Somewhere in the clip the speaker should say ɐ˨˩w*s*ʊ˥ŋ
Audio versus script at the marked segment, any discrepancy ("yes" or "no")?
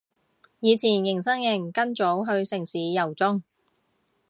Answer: yes